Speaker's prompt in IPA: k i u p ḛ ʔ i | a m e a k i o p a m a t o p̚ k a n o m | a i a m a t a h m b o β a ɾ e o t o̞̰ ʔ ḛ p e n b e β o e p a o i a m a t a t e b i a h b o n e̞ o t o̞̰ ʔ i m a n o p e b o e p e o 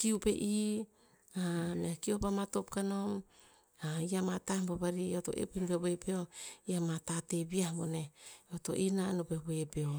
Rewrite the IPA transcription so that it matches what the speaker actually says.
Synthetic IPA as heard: k i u p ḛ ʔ i | a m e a k i o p a m a t o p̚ k a n o m | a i a m a t a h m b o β a ɾ i o t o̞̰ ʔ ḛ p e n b e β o e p e o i a m a t a t e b i a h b o n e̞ o t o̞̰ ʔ i n a n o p e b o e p e o

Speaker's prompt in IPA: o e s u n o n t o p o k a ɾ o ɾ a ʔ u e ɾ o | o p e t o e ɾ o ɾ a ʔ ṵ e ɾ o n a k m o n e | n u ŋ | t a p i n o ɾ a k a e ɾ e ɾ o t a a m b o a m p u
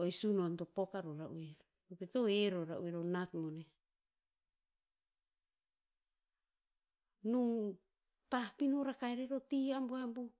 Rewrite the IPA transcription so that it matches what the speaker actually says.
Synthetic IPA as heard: o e s u n o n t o p o k a ɾ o ɾ a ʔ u e ɾ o | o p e t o e ɾ o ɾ a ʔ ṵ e ɾ o n a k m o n e | n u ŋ | t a p i n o ɾ a k a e ɾ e ɾ o t i a m b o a m b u

